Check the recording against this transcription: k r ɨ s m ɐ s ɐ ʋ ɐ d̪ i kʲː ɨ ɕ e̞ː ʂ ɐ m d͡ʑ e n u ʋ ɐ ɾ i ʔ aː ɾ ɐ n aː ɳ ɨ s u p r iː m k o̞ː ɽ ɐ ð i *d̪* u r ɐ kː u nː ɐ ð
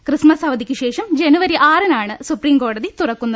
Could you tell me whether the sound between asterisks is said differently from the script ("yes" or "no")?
yes